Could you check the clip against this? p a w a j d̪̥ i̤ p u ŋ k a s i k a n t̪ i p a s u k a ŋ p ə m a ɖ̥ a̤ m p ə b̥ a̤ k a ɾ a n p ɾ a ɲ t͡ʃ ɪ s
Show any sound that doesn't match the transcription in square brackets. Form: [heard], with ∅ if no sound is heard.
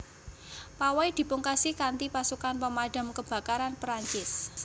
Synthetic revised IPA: p a w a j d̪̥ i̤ p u ŋ k a s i k a n t̪ i p a s u k a [n] p ə m a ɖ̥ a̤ m [k] ə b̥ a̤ k a ɾ a n p ɾ a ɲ t͡ʃ ɪ s